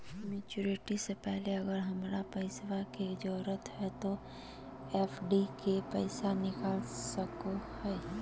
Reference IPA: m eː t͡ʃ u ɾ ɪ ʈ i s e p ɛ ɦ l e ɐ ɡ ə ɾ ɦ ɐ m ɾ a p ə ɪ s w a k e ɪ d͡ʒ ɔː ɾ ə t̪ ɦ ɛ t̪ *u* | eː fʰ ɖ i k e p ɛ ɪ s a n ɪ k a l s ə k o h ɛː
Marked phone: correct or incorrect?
incorrect